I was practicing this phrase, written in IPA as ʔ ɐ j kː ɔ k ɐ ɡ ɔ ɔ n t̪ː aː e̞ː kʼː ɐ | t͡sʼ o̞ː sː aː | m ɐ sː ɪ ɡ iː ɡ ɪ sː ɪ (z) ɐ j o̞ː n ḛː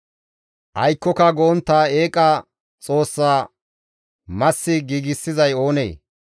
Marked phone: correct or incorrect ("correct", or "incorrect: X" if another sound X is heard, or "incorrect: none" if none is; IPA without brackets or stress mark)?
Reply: correct